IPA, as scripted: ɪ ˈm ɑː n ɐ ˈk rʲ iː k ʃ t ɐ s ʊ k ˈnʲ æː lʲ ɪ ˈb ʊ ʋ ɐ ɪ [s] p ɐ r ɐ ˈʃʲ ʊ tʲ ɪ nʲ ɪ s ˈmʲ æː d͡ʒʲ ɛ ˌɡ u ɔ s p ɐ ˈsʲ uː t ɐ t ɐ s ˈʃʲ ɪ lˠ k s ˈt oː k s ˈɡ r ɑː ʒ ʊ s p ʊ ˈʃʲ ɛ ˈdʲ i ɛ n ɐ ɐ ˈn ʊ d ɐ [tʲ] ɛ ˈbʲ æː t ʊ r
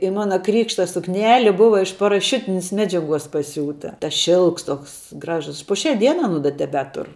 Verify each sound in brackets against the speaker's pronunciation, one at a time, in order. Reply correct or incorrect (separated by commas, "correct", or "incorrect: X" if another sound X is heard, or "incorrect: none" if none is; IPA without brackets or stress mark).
incorrect: ʃ, correct